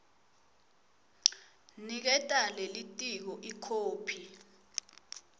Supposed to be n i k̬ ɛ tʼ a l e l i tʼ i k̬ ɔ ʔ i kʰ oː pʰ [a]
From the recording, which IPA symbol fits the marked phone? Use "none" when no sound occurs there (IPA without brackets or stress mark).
i